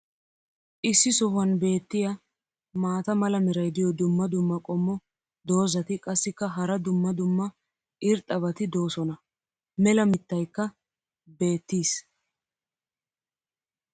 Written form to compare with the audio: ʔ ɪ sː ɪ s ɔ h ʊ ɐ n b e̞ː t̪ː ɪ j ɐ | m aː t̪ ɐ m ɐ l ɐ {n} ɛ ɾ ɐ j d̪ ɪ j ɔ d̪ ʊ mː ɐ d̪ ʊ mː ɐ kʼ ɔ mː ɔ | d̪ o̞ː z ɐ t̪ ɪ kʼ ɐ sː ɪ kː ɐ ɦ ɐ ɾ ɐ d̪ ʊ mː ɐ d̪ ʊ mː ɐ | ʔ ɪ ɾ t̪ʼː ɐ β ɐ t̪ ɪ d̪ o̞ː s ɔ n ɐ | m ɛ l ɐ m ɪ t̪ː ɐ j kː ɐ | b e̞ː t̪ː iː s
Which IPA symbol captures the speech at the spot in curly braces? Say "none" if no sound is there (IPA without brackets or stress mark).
m